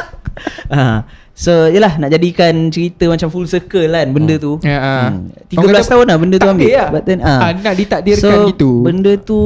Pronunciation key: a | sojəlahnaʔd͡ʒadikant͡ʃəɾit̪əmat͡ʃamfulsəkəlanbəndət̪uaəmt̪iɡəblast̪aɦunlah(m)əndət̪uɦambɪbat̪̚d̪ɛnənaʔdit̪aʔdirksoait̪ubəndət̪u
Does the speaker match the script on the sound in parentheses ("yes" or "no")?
no